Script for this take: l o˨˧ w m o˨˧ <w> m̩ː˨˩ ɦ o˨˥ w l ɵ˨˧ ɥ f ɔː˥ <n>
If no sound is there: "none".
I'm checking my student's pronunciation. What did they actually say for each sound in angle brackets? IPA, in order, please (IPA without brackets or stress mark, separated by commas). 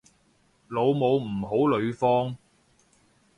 w, ŋ